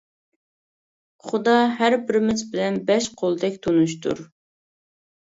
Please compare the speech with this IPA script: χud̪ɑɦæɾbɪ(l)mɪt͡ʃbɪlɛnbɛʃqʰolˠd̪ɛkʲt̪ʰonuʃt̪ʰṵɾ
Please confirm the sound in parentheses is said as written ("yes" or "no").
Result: no